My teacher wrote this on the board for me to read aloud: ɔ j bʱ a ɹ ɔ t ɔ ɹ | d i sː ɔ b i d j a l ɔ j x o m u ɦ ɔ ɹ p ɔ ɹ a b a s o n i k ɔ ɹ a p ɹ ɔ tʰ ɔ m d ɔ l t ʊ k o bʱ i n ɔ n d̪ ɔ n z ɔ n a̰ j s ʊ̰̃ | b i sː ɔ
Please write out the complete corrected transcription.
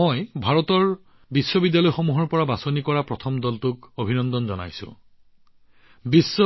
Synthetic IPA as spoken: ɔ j bʱ a ɹ ɔ t ɔ ɹ | b i sː ɔ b i d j a l ɔ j x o m u ɦ ɔ ɹ p ɔ ɹ a b a s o n i k ɔ ɹ a p ɹ ɔ tʰ ɔ m d ɔ l t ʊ k o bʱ i n ɔ n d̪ ɔ n z ɔ n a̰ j s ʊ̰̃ | b i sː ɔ